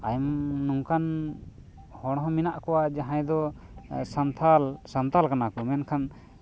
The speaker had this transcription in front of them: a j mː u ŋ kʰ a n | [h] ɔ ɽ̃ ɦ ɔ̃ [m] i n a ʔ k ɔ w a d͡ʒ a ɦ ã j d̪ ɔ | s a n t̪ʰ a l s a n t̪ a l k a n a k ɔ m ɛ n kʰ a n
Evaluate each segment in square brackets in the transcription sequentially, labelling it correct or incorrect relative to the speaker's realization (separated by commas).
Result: correct, correct